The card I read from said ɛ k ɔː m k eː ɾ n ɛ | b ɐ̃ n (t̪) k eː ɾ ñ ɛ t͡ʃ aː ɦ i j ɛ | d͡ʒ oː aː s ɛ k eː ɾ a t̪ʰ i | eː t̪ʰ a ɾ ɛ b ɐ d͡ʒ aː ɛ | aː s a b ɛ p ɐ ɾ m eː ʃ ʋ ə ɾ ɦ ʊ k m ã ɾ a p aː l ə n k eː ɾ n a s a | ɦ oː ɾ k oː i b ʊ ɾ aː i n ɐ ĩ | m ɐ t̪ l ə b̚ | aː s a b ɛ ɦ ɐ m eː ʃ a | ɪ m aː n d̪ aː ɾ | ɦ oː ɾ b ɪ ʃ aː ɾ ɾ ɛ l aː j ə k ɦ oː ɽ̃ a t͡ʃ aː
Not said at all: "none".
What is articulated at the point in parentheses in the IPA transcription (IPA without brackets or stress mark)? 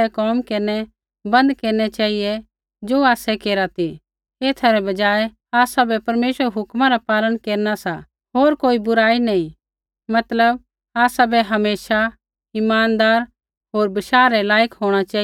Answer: d̪